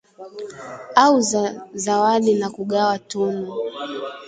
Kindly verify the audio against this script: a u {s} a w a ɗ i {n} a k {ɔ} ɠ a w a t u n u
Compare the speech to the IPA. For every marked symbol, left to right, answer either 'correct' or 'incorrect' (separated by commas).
incorrect, correct, incorrect